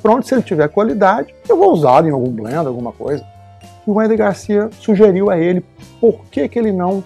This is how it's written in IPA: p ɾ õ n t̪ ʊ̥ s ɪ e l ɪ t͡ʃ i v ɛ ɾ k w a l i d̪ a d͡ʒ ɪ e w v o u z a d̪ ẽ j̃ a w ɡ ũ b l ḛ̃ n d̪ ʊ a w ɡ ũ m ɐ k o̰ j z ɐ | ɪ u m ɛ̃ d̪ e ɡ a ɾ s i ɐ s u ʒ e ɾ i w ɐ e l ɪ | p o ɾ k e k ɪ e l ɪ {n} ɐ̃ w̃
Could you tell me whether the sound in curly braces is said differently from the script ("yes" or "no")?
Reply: no